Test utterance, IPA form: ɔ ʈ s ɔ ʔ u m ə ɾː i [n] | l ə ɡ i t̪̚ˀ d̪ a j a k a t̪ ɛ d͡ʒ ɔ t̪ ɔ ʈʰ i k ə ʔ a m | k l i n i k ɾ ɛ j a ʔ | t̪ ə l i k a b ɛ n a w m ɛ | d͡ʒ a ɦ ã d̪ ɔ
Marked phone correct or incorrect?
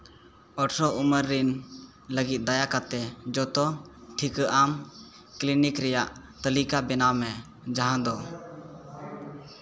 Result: correct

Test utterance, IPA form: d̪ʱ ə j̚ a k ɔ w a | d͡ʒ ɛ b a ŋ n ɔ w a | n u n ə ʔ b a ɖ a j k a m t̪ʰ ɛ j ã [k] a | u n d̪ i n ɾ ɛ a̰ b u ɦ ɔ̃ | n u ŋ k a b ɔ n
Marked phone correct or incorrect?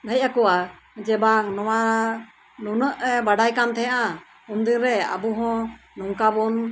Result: incorrect: ʔ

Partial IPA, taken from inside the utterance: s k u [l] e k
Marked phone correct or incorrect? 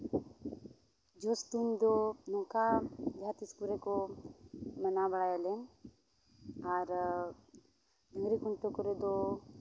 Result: incorrect: ɾ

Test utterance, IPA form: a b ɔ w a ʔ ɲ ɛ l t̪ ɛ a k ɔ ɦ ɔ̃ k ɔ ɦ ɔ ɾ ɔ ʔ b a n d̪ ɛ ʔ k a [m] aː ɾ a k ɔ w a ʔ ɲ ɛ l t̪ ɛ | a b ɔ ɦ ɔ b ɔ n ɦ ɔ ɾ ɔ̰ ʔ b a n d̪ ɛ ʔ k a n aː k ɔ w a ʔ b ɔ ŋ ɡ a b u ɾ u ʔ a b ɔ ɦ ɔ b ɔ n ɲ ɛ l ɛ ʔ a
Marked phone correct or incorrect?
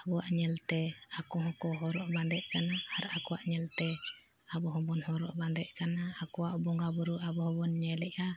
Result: incorrect: n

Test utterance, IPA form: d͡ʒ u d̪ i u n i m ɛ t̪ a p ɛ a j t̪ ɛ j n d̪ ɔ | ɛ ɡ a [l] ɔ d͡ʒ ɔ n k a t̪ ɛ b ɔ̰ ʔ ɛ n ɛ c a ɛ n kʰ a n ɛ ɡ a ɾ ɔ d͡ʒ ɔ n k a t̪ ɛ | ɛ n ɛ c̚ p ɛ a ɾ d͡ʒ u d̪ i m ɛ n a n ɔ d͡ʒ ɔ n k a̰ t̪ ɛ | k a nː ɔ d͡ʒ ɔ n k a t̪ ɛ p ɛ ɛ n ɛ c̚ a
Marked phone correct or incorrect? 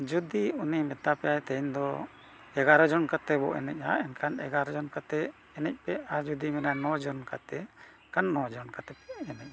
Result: incorrect: ɾ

